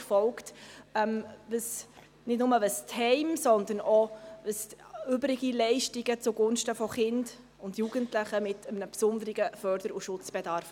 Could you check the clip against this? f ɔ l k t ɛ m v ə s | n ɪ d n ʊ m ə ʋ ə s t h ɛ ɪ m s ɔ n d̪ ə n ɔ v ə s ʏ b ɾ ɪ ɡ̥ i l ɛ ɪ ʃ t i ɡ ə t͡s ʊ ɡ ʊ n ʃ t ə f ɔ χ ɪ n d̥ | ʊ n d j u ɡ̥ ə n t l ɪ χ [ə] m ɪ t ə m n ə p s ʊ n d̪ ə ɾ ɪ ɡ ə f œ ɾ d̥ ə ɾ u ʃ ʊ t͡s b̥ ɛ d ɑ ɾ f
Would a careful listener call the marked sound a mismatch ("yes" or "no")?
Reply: no